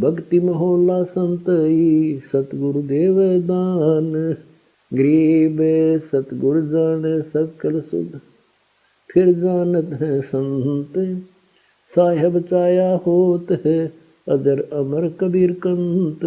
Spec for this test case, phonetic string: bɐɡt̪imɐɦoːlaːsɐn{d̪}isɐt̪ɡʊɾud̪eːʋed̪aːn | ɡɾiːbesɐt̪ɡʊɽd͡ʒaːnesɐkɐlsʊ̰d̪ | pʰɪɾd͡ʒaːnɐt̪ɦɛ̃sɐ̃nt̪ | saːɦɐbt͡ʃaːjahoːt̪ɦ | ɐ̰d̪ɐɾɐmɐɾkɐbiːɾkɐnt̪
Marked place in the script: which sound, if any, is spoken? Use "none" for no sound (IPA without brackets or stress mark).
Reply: t̪